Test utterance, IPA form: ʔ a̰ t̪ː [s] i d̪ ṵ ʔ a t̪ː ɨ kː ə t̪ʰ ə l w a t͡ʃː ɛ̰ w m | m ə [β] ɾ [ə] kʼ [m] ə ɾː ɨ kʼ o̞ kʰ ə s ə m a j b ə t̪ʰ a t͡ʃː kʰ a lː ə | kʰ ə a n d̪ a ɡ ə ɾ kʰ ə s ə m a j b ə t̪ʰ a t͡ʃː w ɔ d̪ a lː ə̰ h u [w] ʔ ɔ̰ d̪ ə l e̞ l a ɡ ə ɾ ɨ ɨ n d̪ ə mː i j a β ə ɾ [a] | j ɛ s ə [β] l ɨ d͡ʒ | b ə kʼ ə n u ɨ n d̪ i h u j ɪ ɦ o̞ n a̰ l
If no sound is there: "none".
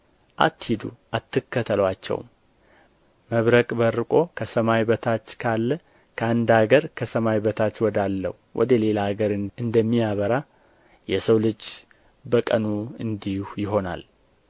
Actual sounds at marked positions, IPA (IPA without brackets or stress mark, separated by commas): h, β, ə, b, w, a, w